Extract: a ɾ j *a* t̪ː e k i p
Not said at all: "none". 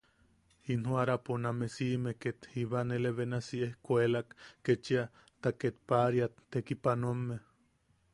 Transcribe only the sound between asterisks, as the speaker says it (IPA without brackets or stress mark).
a